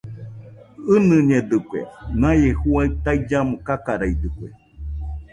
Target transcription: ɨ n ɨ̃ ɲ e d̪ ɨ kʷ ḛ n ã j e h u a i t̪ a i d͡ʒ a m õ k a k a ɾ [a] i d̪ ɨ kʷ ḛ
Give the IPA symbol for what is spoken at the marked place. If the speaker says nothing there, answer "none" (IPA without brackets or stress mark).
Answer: a